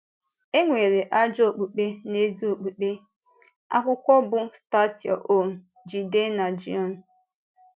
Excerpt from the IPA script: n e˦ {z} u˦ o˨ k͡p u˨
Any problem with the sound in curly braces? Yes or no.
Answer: no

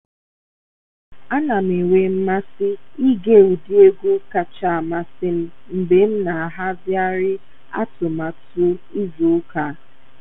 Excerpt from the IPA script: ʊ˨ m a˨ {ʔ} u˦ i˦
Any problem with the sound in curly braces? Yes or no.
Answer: yes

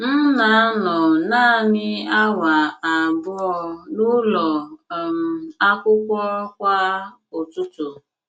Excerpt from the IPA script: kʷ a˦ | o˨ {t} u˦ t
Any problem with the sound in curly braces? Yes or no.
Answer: no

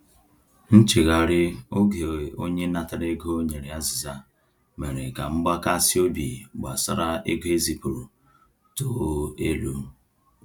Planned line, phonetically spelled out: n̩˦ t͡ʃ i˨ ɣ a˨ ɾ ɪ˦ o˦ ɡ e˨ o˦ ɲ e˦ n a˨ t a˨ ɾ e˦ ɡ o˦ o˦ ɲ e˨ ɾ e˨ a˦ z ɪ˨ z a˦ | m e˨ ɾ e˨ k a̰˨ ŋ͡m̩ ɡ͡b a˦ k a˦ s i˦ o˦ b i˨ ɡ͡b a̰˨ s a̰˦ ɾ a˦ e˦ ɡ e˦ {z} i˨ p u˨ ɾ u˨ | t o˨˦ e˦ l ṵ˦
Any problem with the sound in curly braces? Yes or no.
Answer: no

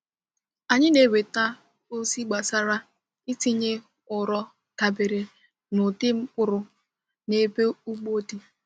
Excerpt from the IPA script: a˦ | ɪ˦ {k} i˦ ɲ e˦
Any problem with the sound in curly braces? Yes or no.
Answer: yes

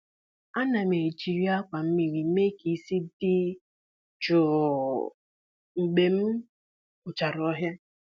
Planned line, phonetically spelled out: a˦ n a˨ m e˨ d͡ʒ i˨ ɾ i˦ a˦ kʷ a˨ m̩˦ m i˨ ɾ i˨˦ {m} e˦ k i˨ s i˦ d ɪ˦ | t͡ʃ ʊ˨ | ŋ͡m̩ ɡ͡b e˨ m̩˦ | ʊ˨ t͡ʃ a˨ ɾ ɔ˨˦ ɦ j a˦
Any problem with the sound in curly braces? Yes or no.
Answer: no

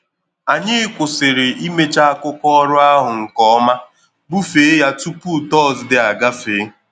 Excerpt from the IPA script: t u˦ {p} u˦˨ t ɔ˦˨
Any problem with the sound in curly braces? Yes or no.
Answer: no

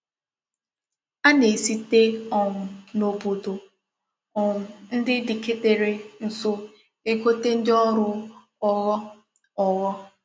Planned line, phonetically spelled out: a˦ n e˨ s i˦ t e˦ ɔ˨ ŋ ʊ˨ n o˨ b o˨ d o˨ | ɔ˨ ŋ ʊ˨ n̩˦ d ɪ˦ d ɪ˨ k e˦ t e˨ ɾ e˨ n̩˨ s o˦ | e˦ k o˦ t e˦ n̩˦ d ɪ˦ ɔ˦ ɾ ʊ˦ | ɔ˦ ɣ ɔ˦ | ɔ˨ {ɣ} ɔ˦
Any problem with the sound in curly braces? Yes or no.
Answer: no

